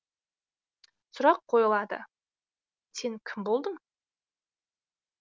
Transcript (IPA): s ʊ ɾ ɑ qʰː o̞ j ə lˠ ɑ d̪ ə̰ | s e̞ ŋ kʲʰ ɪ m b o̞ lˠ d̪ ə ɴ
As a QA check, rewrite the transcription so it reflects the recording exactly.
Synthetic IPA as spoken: s ʊ ɾ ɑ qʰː o̞ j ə lˠ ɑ d̪ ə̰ | s e̞ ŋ kʲʰ ɪ m b o̞ lˠ d̪ ə ɴ